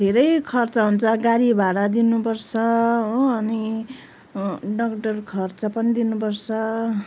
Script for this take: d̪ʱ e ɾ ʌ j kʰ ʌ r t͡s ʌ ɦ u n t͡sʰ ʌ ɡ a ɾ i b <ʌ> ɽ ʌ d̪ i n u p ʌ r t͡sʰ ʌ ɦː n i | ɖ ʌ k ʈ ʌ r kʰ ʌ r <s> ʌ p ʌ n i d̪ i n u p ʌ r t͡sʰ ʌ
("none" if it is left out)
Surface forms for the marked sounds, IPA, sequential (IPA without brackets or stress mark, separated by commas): a, t͡s